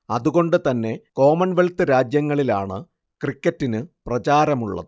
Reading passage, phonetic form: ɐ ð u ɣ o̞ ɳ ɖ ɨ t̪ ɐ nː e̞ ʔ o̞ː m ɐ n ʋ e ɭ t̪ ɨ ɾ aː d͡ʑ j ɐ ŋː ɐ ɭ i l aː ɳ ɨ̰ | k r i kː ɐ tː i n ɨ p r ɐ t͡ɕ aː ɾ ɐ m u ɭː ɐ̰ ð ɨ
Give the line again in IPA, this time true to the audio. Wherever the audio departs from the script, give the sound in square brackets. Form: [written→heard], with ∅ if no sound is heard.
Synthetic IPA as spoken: ɐ ð u ɣ o̞ ɳ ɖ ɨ t̪ ɐ nː e̞ [ʔ→k] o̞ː m ɐ n ʋ e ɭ t̪ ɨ ɾ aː d͡ʑ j ɐ ŋː ɐ ɭ i l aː ɳ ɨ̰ | k r i kː ɐ tː i n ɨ p r ɐ t͡ɕ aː ɾ ɐ m u ɭː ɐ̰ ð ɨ